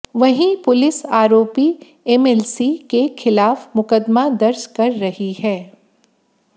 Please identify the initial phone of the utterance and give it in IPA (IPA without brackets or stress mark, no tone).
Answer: ʋ